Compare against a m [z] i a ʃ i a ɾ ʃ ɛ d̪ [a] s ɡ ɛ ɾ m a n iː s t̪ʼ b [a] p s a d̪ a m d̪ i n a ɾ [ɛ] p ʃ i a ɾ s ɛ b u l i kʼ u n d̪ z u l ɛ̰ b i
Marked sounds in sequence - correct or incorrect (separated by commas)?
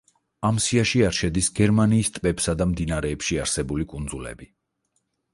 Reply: incorrect, incorrect, incorrect, incorrect